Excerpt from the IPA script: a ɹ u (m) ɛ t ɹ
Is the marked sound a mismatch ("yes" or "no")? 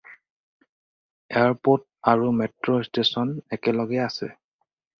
no